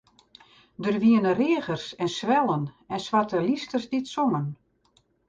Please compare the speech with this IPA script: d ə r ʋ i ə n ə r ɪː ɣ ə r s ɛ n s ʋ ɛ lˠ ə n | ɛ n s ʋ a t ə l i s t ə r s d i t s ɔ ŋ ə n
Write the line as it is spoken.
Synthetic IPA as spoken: d ə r ʋ i ə n ə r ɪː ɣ ə r s ɛ n s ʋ ɛ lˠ ə n | ɛ n s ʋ a t ə l i s t ə r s d i t s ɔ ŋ ə n